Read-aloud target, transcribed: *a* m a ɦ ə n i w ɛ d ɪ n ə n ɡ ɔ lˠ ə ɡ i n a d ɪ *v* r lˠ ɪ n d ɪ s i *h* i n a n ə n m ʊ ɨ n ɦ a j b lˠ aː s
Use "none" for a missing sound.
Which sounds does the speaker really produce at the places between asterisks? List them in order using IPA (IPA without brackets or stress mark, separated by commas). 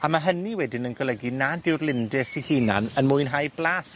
a, w, h